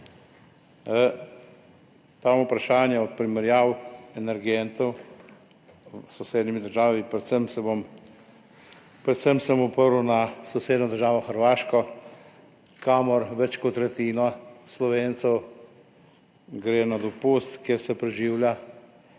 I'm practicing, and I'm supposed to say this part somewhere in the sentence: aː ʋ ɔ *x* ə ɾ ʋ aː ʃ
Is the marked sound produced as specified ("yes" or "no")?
yes